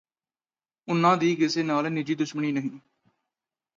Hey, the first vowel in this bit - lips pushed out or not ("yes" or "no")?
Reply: yes